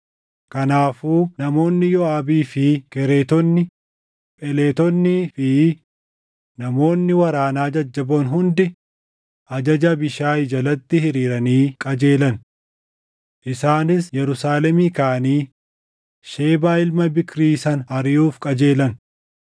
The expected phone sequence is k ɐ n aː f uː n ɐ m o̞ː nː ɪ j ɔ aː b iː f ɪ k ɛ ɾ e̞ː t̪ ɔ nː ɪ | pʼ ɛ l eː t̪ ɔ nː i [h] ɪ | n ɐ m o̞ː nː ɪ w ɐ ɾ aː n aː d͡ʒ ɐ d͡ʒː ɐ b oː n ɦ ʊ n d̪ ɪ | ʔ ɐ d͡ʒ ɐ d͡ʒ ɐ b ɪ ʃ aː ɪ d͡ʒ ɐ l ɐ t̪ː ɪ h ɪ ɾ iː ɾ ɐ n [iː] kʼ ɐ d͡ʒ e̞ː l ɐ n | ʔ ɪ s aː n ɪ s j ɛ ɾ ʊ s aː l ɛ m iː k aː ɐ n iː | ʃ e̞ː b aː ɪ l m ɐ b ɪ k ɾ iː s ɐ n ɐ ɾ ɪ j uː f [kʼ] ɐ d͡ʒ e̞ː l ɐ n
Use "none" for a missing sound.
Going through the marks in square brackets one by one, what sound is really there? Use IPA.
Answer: f, iː, kʼ

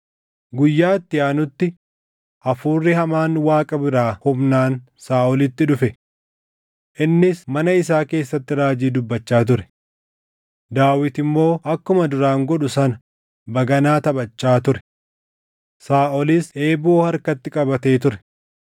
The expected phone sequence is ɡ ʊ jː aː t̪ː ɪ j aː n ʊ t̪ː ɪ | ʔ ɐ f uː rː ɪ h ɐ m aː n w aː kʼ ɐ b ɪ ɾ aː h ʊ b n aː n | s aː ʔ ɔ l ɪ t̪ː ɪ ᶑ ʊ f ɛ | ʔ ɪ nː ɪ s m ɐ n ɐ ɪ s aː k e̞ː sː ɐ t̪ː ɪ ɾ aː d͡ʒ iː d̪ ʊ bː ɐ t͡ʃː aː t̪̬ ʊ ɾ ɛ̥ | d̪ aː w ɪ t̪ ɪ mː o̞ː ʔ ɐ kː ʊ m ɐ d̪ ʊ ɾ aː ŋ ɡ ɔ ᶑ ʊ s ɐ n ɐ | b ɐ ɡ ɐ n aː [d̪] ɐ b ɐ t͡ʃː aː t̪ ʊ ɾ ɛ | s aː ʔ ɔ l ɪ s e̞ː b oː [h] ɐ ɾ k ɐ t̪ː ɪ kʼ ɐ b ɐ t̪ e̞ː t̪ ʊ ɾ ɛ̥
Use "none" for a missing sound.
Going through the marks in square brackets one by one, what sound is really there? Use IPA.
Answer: t̪, h

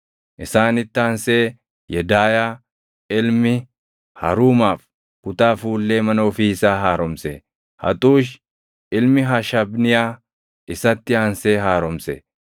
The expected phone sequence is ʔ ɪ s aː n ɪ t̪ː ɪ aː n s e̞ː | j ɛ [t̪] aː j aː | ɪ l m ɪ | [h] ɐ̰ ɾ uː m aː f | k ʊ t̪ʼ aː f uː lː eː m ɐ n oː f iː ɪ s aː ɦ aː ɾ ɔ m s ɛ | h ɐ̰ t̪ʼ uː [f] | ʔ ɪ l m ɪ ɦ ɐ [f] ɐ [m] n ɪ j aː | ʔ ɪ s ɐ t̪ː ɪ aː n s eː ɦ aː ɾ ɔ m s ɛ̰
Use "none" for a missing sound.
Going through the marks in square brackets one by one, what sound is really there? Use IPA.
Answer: d̪, h, ʃ, ʃ, b

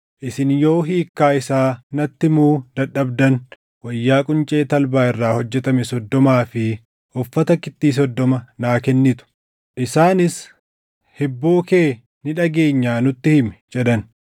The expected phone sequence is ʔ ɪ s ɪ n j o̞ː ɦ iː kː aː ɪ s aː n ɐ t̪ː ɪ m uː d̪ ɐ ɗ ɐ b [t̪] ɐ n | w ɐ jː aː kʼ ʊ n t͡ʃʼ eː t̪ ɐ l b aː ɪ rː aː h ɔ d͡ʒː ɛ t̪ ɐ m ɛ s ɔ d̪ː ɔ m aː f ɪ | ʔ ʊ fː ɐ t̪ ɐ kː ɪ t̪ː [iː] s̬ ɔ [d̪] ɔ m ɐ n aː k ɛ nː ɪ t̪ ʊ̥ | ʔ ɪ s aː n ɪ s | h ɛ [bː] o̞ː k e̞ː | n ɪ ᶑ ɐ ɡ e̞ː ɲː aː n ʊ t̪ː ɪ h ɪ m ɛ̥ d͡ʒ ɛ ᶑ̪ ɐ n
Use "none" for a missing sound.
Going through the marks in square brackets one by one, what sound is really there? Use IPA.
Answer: d̪, iː, d̪ː, bː

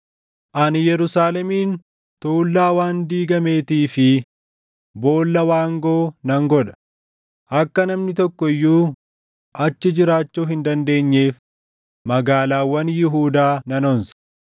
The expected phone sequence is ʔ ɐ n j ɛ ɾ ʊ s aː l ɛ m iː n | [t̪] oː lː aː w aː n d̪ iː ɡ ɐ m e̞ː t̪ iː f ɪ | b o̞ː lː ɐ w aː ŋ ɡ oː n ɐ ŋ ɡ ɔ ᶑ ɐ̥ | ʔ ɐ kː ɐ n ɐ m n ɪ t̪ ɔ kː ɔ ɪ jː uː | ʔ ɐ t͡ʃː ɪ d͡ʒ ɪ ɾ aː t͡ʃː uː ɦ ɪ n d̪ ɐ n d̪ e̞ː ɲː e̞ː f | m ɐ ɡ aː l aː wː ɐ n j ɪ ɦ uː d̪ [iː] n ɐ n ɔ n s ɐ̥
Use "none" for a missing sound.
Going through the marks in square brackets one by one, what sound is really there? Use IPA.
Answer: t̪, aː

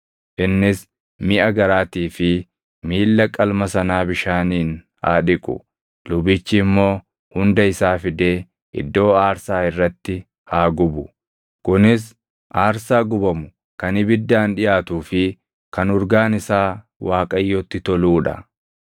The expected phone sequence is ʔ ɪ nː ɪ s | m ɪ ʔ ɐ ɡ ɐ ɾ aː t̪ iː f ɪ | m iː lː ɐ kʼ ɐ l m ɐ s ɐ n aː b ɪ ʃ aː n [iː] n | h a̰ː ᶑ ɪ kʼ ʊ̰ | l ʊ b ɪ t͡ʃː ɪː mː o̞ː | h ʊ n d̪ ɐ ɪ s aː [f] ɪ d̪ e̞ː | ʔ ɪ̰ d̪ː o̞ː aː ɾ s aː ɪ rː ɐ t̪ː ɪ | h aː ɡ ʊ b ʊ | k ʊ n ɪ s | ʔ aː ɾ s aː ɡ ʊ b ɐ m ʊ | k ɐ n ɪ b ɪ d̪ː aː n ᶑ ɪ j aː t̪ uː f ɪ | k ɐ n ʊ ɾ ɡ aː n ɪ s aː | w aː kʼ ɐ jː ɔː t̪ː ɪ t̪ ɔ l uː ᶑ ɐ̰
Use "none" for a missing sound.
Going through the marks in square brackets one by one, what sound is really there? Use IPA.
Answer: iː, f

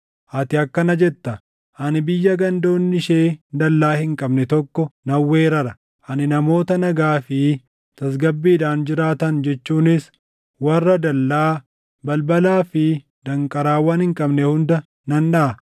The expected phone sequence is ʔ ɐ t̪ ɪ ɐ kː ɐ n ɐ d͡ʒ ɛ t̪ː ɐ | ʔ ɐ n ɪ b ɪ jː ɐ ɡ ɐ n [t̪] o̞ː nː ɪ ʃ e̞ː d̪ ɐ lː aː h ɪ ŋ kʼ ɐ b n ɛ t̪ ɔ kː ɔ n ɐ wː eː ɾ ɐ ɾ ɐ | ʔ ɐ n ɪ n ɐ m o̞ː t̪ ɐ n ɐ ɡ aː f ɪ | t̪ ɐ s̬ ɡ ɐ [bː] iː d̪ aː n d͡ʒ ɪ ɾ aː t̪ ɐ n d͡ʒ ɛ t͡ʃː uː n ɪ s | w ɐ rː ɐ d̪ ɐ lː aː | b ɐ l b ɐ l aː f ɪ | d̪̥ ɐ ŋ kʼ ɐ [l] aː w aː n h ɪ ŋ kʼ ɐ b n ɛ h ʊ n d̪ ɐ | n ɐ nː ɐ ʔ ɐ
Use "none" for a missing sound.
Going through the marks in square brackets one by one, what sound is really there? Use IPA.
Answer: d̪, bː, ɾ

